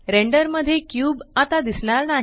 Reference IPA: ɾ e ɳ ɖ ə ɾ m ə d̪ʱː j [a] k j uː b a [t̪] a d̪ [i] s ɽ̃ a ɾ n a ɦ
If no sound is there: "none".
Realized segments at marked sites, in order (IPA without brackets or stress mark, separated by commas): e, t̪, i